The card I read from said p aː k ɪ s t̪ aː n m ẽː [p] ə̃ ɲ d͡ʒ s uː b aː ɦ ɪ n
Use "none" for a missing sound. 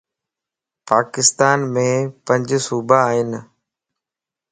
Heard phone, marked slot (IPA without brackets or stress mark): p